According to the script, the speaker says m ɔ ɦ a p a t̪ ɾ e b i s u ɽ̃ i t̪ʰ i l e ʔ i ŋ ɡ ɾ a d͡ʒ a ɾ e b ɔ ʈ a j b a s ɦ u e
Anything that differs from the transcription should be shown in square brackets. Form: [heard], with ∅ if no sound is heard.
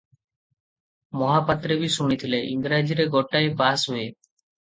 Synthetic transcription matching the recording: m ɔ ɦ a p a t̪ ɾ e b i s u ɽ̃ i t̪ʰ i l e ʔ i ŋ ɡ ɾ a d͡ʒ [i] ɾ e [ɡ] ɔ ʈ a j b a s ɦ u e